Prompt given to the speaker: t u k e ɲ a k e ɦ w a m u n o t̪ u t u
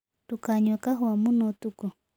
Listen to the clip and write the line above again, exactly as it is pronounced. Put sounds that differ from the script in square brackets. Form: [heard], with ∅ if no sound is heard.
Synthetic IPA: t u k [a] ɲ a k [a] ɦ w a m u n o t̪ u [k] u